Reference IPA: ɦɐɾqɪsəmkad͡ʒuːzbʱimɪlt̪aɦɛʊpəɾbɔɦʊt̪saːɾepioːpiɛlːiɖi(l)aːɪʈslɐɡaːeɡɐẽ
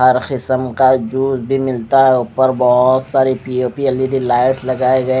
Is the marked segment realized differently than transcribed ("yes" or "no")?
no